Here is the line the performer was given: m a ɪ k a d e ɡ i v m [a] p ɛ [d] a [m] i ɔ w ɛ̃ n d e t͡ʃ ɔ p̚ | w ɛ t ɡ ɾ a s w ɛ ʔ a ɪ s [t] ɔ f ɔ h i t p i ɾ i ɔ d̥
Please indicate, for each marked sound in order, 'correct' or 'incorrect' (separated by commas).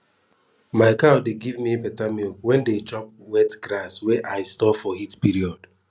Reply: incorrect, incorrect, correct, correct